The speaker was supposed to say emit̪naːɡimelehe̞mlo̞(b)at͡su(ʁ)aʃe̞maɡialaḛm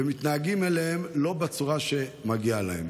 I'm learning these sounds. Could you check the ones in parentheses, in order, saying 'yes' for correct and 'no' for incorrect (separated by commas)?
yes, yes